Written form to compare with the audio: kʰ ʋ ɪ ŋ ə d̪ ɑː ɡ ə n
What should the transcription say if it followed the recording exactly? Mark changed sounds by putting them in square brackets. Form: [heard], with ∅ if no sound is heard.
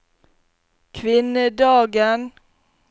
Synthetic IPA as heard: kʰ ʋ ɪ [n] ə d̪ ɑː ɡ ə n